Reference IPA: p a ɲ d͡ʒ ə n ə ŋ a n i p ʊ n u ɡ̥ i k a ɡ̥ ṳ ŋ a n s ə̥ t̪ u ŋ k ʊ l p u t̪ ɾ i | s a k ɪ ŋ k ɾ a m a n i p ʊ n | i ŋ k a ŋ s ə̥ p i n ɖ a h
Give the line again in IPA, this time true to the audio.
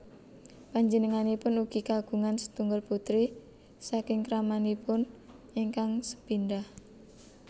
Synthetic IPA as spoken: p a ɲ d͡ʒ ə n ə ŋ a n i p ʊ n u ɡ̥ i k a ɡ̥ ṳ ŋ a n s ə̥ t̪ u ŋ ɡ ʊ l p u t̪ ɾ i | s a k ɪ ŋ k ɾ a m a n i p ʊ n | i ŋ k a ŋ s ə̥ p i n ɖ a h